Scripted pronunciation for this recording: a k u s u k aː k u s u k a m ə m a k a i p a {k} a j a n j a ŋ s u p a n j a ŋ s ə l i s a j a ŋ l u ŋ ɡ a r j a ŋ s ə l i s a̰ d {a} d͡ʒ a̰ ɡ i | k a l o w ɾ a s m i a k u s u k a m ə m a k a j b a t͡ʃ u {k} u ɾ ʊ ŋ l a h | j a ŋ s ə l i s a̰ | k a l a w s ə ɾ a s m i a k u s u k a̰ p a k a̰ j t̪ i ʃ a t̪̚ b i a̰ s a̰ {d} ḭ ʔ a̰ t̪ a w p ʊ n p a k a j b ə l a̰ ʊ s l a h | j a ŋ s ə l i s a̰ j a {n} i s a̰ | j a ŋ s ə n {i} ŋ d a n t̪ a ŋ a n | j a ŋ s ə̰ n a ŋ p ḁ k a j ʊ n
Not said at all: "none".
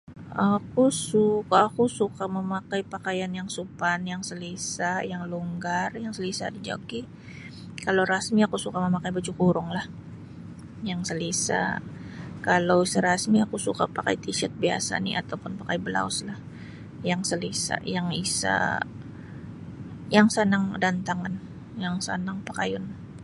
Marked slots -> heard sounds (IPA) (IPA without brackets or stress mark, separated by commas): k, i, k, n, ŋ, a